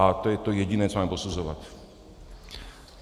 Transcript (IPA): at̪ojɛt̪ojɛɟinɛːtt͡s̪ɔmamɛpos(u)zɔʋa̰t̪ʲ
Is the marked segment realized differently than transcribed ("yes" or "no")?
no